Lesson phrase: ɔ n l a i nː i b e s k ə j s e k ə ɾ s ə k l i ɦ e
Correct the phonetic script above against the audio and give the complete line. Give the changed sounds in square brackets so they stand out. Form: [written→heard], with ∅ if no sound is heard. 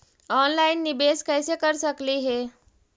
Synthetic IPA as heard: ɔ n l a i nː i b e s k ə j s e k ə ɾ s ə k l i ɦ e